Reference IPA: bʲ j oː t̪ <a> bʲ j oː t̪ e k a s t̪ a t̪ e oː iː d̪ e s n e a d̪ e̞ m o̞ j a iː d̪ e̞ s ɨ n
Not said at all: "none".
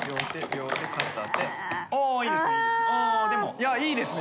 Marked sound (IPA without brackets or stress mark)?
e